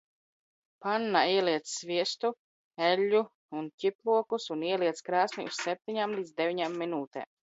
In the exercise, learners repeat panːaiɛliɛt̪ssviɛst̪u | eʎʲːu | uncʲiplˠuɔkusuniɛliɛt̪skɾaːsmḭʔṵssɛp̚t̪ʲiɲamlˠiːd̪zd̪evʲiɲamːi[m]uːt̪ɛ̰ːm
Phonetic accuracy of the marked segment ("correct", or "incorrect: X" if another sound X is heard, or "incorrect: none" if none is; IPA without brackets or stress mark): incorrect: n